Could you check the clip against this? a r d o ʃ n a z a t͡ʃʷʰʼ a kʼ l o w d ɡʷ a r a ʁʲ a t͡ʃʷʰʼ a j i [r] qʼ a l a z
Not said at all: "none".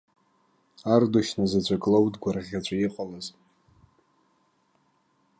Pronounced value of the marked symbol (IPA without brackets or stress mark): none